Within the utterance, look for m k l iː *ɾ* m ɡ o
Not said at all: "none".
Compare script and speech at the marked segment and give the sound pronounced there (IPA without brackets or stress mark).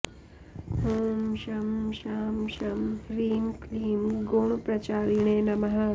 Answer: none